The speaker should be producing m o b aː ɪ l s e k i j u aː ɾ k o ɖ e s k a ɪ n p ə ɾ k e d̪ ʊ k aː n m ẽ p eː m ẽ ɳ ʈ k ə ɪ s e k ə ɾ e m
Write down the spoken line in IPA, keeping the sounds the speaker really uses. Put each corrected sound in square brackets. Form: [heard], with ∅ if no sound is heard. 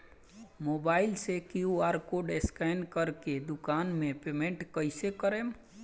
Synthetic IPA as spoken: m o b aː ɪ l s e k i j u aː ɾ k o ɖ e s k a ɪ n [k] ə ɾ k e d̪ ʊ k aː n m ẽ p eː m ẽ ɳ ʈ k ə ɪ s e k ə ɾ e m